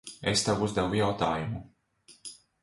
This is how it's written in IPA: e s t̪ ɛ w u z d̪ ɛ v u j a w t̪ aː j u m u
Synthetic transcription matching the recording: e s t̪ a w u z d̪ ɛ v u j a w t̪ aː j u m u